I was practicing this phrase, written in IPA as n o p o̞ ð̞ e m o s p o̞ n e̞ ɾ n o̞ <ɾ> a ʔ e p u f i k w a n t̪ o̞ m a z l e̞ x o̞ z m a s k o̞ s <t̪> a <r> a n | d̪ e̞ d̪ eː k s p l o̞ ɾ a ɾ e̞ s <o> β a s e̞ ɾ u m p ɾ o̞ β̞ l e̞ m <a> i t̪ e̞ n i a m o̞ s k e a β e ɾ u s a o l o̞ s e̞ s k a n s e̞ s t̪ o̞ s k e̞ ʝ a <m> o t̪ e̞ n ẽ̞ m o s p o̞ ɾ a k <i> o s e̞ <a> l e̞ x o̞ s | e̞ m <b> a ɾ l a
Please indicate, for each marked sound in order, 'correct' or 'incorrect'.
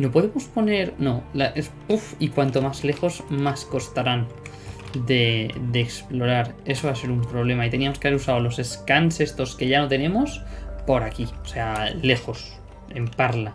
incorrect, correct, incorrect, correct, correct, incorrect, correct, correct, incorrect

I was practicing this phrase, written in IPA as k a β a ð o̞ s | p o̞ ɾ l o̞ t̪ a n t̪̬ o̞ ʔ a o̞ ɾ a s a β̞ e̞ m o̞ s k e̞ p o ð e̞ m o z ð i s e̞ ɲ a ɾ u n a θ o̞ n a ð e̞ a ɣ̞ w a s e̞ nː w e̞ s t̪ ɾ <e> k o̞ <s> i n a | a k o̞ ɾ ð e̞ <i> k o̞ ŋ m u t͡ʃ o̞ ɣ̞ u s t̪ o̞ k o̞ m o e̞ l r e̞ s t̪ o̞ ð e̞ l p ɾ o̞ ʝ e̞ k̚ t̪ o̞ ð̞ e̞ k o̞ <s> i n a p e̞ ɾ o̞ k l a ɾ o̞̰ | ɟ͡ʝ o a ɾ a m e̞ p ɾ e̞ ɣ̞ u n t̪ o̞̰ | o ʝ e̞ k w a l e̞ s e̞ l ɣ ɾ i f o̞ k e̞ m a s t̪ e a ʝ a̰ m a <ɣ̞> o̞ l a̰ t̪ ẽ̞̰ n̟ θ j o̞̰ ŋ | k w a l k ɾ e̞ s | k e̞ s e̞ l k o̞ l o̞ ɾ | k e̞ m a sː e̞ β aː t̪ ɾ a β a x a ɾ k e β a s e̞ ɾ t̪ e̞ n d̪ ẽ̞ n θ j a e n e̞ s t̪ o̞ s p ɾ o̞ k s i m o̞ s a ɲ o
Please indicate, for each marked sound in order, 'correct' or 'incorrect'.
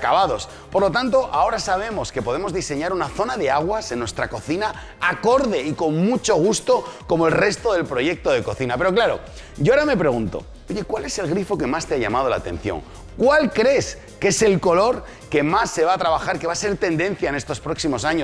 incorrect, incorrect, correct, incorrect, incorrect

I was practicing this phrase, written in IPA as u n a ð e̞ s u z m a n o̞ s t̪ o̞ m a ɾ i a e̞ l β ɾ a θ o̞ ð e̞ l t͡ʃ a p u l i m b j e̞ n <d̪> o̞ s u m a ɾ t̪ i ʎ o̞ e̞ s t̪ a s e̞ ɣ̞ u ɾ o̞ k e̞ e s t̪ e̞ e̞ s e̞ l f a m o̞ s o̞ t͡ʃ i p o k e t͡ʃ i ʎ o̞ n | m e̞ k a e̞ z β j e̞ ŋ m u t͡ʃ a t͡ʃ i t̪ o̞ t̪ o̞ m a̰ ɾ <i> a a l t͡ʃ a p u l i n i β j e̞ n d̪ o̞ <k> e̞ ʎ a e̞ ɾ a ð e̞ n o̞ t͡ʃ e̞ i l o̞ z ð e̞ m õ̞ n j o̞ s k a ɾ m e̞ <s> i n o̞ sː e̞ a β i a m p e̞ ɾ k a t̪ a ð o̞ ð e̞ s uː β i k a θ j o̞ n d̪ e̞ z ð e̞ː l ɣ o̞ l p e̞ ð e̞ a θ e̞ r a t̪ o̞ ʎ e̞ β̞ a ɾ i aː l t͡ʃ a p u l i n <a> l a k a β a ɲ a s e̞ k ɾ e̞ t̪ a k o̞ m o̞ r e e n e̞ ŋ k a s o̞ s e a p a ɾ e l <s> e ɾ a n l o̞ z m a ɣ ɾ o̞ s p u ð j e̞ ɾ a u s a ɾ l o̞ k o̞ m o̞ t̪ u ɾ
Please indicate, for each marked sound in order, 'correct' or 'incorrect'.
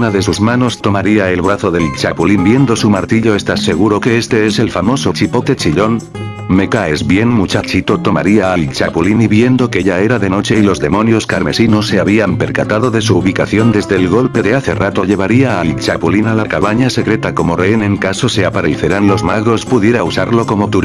correct, correct, correct, correct, correct, incorrect

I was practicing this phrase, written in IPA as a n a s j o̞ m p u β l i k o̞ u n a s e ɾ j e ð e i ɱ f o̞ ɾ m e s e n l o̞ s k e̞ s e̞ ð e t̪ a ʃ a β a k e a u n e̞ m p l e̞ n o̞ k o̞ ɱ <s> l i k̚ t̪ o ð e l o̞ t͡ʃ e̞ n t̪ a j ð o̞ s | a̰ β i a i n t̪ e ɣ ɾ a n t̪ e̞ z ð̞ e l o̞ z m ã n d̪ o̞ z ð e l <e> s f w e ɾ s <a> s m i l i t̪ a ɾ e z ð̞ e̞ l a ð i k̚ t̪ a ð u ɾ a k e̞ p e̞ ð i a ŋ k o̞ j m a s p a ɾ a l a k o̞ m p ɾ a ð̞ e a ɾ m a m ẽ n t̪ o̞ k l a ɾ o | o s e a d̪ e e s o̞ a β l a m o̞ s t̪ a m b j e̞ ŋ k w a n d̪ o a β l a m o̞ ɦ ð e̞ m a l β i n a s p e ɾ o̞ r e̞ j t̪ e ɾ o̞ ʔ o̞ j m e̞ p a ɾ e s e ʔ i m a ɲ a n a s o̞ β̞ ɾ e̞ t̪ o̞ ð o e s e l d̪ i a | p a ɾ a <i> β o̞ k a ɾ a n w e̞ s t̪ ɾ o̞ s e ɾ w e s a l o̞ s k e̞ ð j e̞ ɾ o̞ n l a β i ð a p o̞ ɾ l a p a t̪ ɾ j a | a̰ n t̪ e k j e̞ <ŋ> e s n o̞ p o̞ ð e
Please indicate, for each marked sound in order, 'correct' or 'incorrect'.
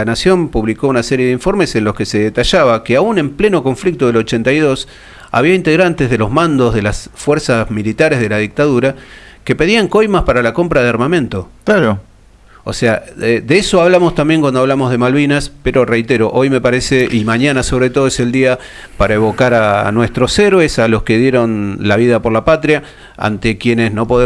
incorrect, incorrect, correct, incorrect, incorrect

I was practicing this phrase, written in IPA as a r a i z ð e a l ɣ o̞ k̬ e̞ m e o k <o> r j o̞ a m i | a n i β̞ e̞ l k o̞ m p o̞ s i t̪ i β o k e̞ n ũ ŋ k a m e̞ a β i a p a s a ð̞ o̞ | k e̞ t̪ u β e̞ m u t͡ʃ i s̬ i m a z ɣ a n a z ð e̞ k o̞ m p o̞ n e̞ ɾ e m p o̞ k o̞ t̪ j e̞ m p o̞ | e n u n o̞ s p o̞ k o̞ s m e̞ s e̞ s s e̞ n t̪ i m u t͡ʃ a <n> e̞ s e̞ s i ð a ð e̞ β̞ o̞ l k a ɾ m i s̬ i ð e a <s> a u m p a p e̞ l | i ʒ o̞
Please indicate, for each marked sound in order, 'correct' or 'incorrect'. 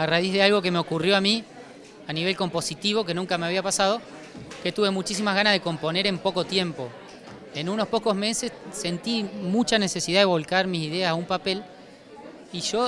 incorrect, correct, correct

